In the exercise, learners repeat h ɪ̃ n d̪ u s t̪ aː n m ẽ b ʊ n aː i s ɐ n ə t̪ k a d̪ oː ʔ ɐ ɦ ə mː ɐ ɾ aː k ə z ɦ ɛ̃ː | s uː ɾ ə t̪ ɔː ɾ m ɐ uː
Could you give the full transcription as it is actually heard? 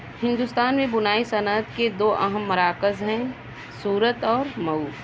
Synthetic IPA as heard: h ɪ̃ n d̪ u s t̪ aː n m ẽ b ʊ n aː i s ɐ n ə t̪ k e d̪ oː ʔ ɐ ɦ ə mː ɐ ɾ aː k ə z ɦ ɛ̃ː | s uː ɾ ə t̪ ɔː ɾ m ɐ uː